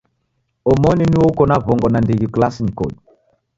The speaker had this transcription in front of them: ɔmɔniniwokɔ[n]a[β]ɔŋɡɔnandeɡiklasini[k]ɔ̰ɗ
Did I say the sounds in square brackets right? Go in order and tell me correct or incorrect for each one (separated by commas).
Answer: correct, incorrect, correct